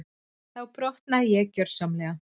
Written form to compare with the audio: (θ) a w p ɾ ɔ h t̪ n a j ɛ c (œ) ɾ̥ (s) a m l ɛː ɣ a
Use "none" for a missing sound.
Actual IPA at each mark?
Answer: θ, œ, s

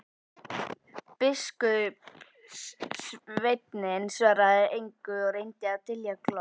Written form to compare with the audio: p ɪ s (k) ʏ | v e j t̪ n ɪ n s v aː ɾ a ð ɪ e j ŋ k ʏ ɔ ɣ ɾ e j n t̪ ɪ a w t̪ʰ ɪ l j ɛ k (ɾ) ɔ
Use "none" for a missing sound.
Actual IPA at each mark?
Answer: k, l

